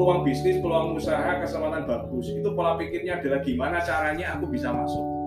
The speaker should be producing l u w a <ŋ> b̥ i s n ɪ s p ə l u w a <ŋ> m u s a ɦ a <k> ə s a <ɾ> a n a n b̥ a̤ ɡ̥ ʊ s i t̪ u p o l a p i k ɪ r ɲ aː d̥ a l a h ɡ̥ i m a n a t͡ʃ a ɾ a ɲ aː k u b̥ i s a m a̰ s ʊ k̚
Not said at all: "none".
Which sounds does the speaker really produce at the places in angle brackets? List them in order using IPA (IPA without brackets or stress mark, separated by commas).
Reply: ŋ, ŋ, k, l